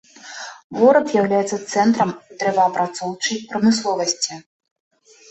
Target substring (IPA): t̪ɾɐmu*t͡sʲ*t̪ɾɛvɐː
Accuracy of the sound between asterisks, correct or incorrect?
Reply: incorrect